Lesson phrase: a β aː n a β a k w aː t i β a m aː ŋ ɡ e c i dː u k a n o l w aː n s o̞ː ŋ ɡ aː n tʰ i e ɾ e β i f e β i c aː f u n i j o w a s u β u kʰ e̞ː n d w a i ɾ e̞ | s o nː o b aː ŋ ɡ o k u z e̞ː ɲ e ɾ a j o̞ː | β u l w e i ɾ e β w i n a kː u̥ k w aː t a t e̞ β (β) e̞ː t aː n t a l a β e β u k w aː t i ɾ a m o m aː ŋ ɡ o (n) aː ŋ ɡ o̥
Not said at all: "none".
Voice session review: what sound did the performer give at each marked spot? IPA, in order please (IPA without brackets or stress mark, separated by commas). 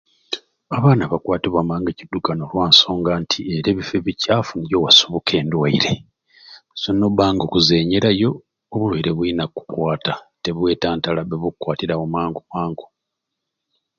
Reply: w, m